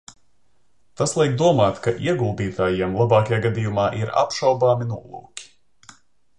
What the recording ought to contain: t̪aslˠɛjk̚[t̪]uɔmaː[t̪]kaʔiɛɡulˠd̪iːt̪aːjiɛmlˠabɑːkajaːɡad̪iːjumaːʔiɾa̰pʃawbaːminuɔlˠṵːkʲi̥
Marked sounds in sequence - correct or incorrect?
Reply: incorrect: d̪, correct

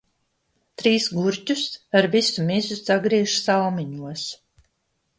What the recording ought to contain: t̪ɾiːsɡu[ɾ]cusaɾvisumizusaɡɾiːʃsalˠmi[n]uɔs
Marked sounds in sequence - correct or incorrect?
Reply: correct, incorrect: ɲ

